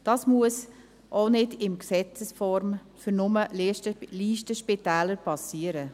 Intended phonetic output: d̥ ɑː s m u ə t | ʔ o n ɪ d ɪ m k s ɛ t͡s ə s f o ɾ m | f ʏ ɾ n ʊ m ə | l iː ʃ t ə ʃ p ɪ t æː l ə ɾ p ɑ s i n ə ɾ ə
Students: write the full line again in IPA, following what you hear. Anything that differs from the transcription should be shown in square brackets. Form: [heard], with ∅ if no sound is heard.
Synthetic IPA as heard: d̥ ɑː s m u ə [s] | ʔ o n ɪ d ɪ m k s ɛ t͡s ə s f [ɔ] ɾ m | f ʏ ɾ n ʊ m ə | l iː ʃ t ə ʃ p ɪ t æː l ə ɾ p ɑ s i [∅] ə ɾ ə